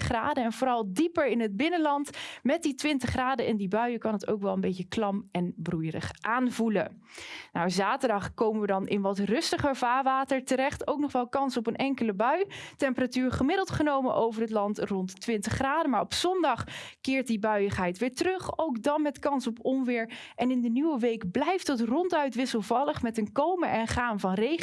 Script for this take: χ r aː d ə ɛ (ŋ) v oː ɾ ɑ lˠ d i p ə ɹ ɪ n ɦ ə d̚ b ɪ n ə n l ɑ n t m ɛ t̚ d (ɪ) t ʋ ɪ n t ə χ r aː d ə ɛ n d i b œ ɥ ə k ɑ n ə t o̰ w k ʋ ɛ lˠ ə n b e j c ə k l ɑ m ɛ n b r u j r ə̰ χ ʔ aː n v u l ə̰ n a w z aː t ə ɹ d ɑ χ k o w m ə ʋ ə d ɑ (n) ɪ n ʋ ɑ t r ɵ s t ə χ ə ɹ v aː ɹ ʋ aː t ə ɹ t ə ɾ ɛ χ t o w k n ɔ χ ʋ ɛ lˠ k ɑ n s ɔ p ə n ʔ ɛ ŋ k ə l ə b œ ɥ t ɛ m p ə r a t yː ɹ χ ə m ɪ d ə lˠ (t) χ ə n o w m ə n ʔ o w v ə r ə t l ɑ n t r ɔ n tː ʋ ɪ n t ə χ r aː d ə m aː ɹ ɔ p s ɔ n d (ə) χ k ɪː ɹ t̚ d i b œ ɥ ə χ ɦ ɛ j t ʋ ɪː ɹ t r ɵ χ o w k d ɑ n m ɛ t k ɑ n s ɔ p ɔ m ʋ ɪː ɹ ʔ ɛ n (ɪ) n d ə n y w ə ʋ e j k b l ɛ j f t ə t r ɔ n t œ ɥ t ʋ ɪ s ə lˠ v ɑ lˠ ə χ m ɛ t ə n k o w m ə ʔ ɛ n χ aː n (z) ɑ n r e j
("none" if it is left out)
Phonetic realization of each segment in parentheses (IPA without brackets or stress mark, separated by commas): n, i, n, t, ɑ, ɪ, v